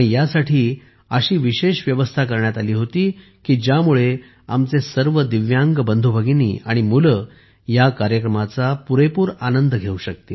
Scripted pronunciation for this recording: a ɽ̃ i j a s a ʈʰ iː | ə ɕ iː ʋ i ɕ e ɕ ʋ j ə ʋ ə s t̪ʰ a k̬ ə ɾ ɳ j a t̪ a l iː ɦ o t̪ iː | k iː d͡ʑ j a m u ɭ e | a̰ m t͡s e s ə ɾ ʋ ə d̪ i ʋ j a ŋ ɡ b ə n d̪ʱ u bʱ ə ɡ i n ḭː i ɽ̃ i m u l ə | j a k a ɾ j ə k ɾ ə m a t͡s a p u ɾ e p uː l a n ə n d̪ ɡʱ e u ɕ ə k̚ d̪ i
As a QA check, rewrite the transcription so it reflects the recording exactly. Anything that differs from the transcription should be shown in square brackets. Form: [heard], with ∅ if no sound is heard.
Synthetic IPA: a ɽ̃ i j a s a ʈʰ iː | ə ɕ iː ʋ i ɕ e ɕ ʋ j ə ʋ ə s t̪ʰ a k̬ ə ɾ ɳ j a t̪ a l iː ɦ o t̪ iː | k iː d͡ʑ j a m u ɭ e | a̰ m t͡s e s ə ɾ ʋ ə d̪ i ʋ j a ŋ ɡ b ə n d̪ʱ u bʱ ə ɡ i n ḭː [a] ɽ̃ i m u l ə | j a k a ɾ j ə k ɾ ə m a t͡s a p u ɾ e p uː [ɾ] a n ə n d̪ ɡʱ e u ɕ ə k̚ [t̪] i